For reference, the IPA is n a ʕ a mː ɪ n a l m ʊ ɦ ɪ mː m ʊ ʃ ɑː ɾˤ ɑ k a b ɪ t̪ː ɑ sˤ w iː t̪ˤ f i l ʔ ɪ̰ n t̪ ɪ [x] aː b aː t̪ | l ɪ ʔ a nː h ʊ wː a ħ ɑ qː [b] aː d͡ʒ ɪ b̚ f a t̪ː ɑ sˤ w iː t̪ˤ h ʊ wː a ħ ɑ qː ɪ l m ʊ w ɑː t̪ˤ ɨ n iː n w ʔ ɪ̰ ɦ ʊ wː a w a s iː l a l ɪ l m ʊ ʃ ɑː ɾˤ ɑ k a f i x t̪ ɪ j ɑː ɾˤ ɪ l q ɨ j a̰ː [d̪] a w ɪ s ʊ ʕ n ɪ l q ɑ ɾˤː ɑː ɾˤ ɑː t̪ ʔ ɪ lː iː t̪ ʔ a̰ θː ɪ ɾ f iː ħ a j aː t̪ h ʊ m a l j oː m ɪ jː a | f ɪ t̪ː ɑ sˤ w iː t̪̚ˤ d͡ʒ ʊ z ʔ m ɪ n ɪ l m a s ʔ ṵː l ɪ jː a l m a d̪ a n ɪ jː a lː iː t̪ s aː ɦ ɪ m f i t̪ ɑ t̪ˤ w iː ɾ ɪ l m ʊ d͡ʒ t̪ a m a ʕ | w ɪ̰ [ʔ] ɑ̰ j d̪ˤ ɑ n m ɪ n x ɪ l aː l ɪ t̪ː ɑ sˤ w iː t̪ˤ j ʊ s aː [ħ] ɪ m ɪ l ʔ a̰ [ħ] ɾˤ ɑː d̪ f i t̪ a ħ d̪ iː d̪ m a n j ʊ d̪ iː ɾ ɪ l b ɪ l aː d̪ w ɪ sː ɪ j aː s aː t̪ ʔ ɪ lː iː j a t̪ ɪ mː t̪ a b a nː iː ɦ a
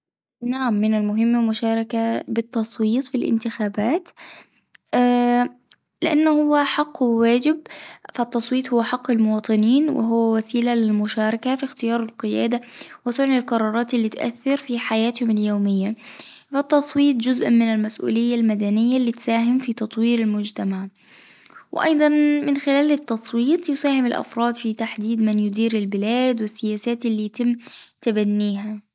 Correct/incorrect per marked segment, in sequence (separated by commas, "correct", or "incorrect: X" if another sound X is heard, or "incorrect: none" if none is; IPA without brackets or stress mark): correct, incorrect: w, correct, correct, incorrect: h, incorrect: f